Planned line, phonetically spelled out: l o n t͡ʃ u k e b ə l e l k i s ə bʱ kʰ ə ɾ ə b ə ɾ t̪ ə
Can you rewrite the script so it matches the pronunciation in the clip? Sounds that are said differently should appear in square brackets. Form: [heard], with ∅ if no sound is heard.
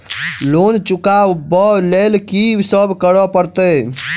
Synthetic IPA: l o n t͡ʃ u k [a] b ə l e l k i s ə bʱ [k] ə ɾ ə [p] ə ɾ t̪ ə

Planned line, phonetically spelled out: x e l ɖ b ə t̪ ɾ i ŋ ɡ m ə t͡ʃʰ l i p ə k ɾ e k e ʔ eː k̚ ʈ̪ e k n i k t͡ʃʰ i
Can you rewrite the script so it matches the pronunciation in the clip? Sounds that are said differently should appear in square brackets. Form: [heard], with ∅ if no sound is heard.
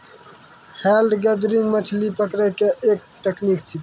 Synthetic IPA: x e l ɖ [ɡ] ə [d̪] ɾ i ŋ ɡ m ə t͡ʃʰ l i p ə k ɾ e k e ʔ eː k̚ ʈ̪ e k n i k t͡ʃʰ i

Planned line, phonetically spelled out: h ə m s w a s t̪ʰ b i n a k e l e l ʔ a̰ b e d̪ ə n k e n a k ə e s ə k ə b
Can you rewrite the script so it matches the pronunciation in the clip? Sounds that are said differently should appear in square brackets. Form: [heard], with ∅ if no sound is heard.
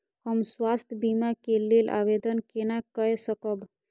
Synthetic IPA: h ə m s w a s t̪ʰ b i [m] a k e l e l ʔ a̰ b e d̪ ə n k e n a k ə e s ə k ə b

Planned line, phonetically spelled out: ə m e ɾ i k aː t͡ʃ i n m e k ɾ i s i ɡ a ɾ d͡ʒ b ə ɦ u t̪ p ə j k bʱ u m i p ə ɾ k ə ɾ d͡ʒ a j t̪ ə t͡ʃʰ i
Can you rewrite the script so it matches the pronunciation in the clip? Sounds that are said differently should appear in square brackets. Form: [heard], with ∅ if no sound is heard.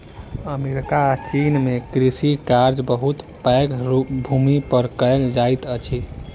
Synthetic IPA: ə m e ɾ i k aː t͡ʃ i n m e k ɾ i s i [k] a ɾ d͡ʒ b ə ɦ u t̪ p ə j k bʱ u m i p ə ɾ k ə [l] d͡ʒ a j t̪ ə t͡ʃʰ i

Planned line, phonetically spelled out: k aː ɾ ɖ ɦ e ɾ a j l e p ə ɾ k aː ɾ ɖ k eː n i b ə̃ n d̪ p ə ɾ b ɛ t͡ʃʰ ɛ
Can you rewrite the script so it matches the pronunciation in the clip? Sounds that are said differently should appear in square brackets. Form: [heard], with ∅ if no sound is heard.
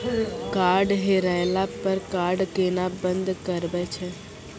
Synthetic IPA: k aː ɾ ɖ ɦ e ɾ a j l [a] p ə ɾ k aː ɾ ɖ k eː n [a] b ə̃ n d̪ [k] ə ɾ b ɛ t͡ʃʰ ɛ

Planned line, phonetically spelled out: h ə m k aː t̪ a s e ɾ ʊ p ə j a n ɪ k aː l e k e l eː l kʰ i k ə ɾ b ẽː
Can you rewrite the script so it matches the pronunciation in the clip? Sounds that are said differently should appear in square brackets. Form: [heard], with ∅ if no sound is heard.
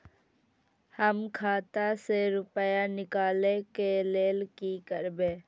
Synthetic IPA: h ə m [kʰ] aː t̪ a s e ɾ ʊ p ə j a n ɪ k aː l e k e l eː l [k] i k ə ɾ b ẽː

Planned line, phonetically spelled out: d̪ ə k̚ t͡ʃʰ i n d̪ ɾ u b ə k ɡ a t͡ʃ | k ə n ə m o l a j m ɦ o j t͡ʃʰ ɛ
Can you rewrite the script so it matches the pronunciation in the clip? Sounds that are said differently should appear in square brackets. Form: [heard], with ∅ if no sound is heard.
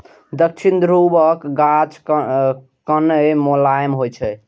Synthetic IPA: d̪ ə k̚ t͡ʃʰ i n d̪ ɾ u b ə k ɡ a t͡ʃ | k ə n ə m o l a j m ɦ o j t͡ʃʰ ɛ

